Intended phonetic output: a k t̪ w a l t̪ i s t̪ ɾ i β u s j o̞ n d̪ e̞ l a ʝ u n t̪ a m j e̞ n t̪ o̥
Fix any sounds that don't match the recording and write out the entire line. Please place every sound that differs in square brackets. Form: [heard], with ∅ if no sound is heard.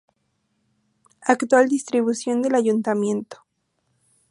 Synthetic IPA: a k t̪ w a l [d̪] i s t̪ ɾ i β u s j o̞ n d̪ e̞ l a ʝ u n t̪ a m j e̞ n t̪ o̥